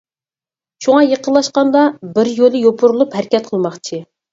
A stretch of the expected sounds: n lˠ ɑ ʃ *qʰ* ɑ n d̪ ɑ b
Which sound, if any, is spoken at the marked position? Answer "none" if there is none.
q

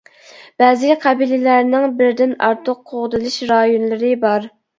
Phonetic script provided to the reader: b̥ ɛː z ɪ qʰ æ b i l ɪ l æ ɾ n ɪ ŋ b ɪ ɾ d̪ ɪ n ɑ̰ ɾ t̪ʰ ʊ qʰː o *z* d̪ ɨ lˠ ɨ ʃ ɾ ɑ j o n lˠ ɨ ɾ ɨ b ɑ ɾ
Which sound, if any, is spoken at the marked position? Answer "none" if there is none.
ʁ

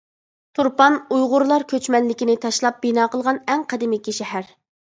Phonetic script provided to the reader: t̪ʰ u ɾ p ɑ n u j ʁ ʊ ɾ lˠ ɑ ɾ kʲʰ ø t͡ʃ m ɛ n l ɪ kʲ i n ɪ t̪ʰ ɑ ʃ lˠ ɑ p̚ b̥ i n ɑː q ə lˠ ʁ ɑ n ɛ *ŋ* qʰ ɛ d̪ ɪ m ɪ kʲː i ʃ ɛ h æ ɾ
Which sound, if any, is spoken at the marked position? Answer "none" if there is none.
ŋ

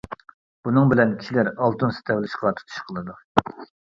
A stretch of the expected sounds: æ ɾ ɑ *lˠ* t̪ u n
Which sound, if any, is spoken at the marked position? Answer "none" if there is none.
lˠ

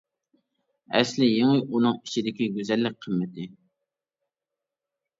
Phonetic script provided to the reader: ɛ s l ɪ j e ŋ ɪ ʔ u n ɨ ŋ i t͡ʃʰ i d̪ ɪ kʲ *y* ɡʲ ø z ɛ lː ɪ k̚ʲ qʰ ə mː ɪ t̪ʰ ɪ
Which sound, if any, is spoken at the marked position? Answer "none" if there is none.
i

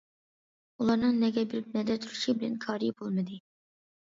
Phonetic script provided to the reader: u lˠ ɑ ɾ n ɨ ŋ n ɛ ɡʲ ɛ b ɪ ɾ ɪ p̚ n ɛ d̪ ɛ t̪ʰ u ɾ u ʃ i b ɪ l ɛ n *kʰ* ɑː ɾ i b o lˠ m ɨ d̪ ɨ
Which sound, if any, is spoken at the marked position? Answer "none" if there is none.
kʰ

